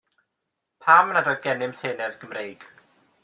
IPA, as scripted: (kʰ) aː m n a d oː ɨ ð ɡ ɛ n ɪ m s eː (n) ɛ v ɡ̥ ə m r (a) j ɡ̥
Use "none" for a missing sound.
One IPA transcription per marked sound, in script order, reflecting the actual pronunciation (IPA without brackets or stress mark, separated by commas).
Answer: pʰ, n, e